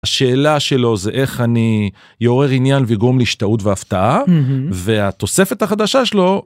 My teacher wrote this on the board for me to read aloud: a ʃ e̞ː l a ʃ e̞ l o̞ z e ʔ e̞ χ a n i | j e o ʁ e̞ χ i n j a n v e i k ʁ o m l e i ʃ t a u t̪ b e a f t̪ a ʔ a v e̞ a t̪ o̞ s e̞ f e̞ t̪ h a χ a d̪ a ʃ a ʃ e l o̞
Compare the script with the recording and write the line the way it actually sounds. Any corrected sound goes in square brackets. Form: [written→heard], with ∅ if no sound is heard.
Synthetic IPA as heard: a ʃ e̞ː l a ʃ e̞ l o̞ z e ʔ e̞ χ a n i | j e o ʁ e̞ [χ→ʁ] i n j a n v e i [k→ɡ] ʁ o m l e i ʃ t a u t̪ [b→v] e a f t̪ a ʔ a v e̞ a t̪ o̞ s e̞ f e̞ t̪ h a χ a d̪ a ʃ a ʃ e l o̞

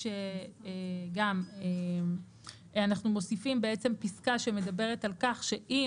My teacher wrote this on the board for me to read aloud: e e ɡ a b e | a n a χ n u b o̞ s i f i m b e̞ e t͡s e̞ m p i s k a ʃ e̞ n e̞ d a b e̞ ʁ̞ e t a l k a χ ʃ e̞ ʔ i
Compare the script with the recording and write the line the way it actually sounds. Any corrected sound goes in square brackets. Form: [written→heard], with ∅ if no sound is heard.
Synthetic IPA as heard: e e ɡ a [b→m] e | a n a χ n u [b→m] o̞ s i f i m b e̞ e t͡s e̞ m p i s k a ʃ e̞ [n→m] e̞ d a b e̞ ʁ̞ e t a l k a χ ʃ e̞ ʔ i

